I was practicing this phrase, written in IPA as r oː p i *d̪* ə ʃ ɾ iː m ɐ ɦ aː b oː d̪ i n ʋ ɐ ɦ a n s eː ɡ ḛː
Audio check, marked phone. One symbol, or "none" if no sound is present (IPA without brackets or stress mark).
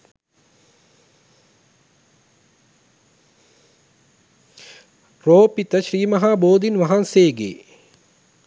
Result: t̪